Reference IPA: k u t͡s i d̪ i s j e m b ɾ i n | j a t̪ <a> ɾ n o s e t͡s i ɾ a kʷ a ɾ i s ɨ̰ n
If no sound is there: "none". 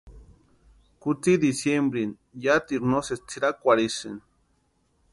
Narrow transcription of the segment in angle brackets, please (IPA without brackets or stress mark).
i